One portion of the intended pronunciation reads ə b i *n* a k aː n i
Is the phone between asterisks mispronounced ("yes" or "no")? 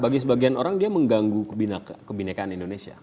no